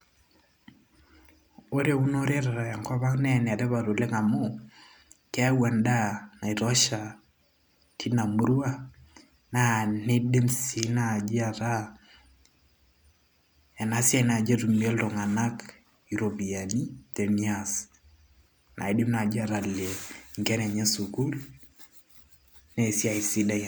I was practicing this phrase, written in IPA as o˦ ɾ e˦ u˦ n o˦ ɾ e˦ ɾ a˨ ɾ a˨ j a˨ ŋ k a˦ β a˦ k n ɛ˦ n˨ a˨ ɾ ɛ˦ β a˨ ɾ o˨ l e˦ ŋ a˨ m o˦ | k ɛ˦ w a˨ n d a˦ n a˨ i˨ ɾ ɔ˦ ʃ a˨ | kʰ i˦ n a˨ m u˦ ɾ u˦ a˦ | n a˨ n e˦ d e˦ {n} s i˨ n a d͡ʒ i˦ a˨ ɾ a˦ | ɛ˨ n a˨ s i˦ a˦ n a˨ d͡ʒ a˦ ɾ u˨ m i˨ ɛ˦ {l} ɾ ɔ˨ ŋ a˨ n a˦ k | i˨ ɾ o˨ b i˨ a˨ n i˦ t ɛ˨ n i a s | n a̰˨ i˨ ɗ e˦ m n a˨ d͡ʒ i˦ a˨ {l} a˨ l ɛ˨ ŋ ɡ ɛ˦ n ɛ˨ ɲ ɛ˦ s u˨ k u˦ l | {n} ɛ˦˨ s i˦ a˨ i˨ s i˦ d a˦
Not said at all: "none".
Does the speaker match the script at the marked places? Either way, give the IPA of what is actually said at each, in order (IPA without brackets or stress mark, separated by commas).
m, l, ɾ, n